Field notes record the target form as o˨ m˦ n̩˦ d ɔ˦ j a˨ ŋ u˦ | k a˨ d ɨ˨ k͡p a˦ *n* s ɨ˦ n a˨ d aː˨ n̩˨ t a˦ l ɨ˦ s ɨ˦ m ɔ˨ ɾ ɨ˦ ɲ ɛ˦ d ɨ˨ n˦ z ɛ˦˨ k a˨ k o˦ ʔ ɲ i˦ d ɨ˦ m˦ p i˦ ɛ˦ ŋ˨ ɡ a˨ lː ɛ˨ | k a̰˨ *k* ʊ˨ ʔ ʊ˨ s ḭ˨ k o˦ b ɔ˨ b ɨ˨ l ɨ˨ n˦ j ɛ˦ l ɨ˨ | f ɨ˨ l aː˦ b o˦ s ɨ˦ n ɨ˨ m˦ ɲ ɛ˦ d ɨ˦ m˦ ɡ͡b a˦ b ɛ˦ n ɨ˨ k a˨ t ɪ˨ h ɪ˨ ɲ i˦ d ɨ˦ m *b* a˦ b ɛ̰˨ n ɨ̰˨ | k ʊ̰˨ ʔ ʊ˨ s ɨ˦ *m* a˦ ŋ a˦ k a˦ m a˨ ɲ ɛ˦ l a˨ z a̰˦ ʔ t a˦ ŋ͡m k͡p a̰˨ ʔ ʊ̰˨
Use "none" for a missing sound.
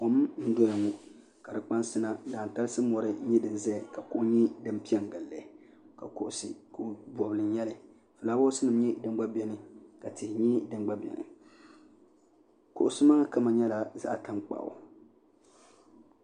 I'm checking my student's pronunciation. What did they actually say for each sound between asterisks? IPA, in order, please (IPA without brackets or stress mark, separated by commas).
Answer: n, k, ɡ͡b, m